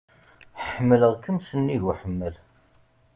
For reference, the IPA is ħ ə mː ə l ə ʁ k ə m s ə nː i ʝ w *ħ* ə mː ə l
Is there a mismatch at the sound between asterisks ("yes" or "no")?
no